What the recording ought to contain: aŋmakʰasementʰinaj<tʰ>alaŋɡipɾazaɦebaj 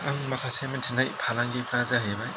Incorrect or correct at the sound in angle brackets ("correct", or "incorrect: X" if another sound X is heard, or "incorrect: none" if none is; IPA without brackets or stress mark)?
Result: incorrect: pʰ